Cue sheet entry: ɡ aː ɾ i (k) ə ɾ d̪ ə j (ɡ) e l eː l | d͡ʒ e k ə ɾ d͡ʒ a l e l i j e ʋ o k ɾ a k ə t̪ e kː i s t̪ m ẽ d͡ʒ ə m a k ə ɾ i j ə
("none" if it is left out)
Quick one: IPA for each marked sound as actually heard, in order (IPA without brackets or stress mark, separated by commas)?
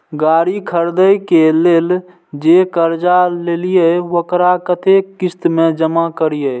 kʰ, k